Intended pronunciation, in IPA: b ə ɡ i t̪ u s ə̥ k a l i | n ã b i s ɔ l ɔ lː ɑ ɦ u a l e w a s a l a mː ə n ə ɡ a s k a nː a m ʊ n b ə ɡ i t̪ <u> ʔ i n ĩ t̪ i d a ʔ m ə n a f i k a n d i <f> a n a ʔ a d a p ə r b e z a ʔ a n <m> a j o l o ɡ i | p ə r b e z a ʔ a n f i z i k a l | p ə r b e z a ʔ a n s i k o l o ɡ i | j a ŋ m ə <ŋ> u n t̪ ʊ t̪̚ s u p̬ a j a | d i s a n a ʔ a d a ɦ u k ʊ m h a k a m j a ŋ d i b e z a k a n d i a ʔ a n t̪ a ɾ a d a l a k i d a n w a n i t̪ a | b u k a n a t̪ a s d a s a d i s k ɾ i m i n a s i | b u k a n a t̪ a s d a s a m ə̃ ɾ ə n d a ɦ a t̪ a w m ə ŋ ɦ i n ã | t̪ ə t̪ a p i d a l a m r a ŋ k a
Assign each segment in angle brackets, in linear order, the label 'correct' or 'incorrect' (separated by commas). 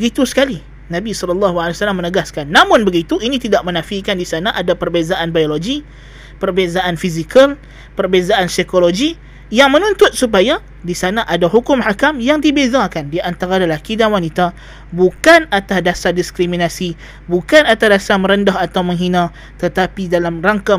correct, incorrect, incorrect, incorrect